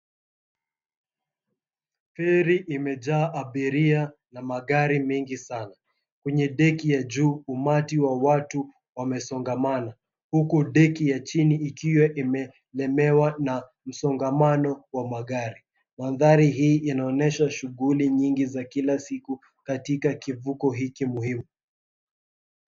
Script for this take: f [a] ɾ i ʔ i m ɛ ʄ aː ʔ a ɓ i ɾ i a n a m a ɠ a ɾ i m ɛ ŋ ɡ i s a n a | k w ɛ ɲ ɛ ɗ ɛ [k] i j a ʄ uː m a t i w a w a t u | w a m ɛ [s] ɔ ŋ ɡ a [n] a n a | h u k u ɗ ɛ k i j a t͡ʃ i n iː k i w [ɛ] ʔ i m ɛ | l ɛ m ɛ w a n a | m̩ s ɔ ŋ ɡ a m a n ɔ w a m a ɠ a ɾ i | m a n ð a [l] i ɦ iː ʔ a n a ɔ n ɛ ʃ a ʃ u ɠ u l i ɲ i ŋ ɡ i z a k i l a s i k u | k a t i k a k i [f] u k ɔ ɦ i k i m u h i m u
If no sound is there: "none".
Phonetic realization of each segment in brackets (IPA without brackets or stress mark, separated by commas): ɛ, k, s, m, ɛ, ɾ, v